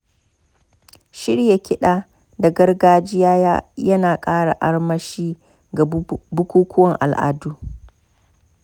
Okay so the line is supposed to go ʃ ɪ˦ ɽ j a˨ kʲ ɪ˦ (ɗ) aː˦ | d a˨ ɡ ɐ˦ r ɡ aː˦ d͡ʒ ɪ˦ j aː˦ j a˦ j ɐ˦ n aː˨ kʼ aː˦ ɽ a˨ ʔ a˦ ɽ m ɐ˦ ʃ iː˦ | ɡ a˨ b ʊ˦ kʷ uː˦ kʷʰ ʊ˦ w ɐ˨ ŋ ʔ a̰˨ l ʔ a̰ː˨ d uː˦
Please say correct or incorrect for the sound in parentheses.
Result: correct